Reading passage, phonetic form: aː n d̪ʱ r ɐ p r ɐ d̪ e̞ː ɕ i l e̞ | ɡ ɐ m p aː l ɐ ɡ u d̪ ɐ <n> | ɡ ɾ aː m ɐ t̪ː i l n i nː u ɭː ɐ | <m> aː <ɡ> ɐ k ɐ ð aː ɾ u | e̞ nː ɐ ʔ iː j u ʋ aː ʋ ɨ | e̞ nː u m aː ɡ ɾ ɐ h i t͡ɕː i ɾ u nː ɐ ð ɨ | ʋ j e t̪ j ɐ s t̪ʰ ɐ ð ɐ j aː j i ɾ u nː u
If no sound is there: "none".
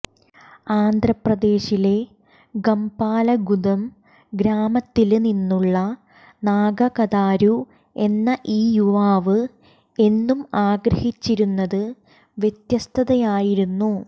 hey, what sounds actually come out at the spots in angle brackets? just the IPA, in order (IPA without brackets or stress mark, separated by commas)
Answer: m, n, ɡ